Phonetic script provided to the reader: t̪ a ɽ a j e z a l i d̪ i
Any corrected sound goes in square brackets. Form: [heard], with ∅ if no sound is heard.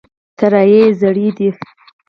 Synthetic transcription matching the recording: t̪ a [ɾ] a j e z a [ɽ] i d̪ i